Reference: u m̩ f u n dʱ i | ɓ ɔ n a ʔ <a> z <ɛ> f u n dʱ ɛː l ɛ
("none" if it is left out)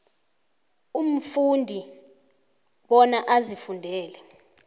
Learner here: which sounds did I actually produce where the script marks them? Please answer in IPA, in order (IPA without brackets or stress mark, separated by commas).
a, i